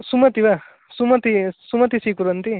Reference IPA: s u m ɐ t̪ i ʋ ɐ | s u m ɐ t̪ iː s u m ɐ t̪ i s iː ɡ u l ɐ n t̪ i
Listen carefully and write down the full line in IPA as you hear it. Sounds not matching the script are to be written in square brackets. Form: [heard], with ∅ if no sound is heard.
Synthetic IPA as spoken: s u m ɐ t̪ i ʋ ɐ | s u m ɐ t̪ [i] s u m ɐ t̪ i s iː [k] u [ɾ] ɐ n t̪ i